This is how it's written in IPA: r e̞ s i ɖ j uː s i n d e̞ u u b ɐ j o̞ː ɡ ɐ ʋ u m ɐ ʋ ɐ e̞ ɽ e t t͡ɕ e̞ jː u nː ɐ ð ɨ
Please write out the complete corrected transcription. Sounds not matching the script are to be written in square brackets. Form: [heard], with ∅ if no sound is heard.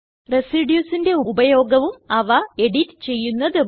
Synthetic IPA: r e̞ s i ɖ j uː s i n d e̞ u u b ɐ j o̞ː ɡ ɐ ʋ u m ɐ ʋ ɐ e̞ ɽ [i] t t͡ɕ e̞ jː u nː ɐ ð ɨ